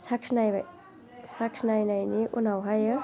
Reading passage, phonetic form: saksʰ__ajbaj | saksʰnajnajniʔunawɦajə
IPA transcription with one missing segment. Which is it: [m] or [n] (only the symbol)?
n